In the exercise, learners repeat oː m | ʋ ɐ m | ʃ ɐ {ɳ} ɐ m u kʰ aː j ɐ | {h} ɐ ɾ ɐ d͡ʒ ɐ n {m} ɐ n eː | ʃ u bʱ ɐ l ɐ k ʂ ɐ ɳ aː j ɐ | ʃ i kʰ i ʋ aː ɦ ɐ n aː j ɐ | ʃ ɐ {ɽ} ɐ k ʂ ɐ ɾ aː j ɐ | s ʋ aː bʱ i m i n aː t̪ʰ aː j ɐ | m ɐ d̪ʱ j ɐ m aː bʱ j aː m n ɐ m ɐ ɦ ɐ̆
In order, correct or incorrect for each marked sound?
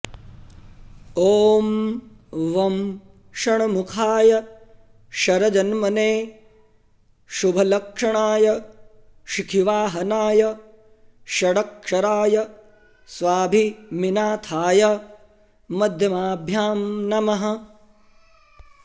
correct, incorrect: ʃ, correct, correct

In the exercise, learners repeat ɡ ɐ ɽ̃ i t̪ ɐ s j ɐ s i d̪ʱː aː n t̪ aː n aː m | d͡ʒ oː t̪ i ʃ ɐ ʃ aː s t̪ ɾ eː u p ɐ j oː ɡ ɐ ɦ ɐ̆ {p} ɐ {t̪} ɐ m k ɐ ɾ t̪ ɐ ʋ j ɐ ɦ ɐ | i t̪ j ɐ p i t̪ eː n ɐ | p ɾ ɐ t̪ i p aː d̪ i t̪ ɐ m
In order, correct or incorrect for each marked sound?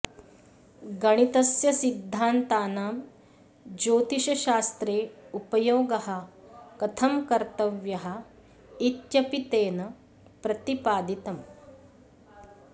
incorrect: k, incorrect: t̪ʰ

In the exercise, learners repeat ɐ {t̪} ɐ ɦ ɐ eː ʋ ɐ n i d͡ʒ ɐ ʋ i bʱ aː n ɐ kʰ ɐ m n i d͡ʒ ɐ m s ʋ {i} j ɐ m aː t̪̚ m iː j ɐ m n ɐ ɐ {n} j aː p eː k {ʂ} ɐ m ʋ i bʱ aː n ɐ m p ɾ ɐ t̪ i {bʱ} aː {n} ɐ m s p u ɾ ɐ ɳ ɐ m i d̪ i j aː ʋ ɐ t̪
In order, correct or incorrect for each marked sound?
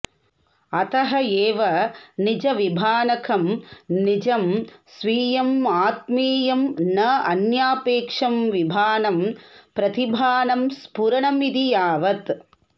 correct, incorrect: iː, correct, correct, correct, correct

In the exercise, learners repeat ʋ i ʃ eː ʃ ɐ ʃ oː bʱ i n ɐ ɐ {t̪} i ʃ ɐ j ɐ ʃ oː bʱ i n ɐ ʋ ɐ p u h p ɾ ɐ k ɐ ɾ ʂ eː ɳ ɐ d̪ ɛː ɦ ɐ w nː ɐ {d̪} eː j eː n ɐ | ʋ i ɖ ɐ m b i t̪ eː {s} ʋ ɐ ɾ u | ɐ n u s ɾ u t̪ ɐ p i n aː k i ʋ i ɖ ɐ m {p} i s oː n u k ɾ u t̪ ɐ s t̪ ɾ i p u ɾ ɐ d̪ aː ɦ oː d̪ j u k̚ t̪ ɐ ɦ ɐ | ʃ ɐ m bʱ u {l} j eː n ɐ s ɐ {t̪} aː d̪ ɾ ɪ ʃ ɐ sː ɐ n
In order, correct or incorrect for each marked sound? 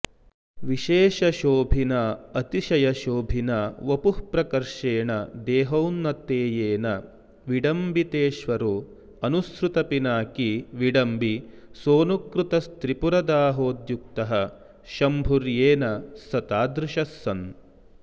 correct, incorrect: t̪, incorrect: ʃ, incorrect: b, incorrect: ɾ, correct

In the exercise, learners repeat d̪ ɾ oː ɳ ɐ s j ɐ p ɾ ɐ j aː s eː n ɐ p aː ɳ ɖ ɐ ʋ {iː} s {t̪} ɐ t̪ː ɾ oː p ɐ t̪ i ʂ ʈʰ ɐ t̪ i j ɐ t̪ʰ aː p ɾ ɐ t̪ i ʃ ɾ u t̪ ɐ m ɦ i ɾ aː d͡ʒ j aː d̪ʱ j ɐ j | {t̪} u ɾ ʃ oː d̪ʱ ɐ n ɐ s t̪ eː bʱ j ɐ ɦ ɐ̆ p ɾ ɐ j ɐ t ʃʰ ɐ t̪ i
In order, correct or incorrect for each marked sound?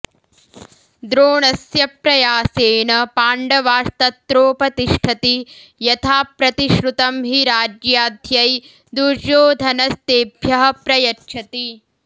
incorrect: aː, correct, incorrect: d̪

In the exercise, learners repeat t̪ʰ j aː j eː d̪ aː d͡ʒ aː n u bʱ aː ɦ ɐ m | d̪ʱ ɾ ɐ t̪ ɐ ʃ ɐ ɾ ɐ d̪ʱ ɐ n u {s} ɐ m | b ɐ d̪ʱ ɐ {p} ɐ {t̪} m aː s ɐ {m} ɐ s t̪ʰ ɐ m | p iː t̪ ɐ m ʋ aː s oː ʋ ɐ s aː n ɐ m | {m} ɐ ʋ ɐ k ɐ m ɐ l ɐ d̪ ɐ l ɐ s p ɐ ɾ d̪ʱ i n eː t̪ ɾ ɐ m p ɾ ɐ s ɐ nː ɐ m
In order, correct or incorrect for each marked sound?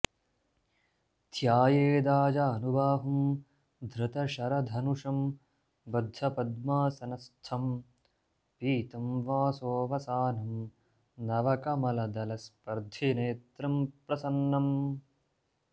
incorrect: ʂ, correct, incorrect: d̪, incorrect: n, incorrect: n

